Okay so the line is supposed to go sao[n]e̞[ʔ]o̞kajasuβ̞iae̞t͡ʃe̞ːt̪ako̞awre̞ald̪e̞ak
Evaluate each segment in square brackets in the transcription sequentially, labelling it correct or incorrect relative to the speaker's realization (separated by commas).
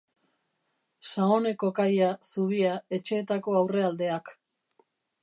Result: correct, incorrect